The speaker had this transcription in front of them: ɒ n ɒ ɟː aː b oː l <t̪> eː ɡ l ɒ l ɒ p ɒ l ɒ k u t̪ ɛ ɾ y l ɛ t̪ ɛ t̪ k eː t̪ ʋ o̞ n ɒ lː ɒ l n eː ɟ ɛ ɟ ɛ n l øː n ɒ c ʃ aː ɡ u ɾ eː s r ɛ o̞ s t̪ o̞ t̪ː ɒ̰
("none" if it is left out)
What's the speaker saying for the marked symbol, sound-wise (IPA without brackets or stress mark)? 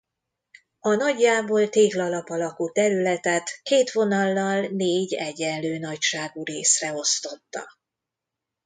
t̪